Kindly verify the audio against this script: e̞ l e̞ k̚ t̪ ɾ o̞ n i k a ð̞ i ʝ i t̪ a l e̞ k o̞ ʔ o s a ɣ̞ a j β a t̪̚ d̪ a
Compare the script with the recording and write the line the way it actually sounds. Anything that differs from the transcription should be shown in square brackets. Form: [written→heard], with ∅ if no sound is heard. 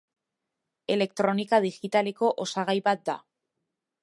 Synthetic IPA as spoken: e̞ l e̞ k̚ t̪ ɾ o̞ n i k a ð̞ i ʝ i t̪ a l e̞ k o̞ ʔ o s a ɣ̞ a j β a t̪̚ d̪ a